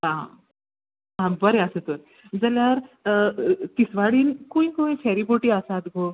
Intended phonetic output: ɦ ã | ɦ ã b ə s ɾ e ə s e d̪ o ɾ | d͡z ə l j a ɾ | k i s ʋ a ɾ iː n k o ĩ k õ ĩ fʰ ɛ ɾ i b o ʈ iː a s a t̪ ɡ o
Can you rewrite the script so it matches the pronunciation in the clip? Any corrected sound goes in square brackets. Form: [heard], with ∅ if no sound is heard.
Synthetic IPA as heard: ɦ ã | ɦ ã b ə [∅] ɾ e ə s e [t̪] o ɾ | d͡z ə l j a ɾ | k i s ʋ a [ɽ] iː n k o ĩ k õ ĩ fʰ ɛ ɾ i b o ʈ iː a s a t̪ ɡ o